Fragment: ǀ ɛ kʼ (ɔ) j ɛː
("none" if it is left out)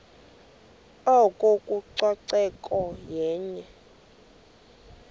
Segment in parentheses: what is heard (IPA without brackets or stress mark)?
ɔ